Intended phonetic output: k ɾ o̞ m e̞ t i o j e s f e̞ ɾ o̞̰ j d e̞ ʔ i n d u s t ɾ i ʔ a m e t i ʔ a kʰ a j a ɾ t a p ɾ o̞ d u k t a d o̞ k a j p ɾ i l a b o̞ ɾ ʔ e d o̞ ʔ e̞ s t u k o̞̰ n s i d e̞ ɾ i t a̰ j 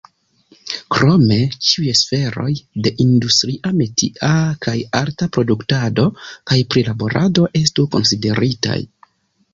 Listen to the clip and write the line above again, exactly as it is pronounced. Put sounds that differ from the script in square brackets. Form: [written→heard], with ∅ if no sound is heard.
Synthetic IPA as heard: k ɾ o̞ m e̞ [t→t͡ʃ] i [o→u] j e s f e̞ ɾ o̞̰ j d e̞ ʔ i n d u s t ɾ i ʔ a m e t i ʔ a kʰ a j a ɾ t a p ɾ o̞ d u k t a d o̞ k a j p ɾ i l a b o̞ ɾ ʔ [e→a] d o̞ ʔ e̞ s t u k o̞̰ n s i d e̞ ɾ i t a̰ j